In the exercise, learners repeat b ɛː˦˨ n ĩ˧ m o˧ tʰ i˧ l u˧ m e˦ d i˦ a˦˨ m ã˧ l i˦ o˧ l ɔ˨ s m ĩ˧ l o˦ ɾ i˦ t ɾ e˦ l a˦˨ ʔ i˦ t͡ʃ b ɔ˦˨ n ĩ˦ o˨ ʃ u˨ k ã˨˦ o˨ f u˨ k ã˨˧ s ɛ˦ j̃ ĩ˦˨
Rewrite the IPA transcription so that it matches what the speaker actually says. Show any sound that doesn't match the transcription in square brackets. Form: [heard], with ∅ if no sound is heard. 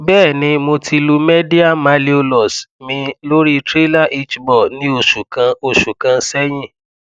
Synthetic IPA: b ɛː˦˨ n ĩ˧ m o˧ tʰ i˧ l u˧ m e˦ d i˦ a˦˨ m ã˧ l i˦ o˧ l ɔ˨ s m ĩ˧ l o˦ ɾ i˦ t ɾ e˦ l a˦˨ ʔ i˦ t͡ʃ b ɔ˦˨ n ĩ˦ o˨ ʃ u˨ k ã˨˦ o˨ [ʃ] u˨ k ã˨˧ s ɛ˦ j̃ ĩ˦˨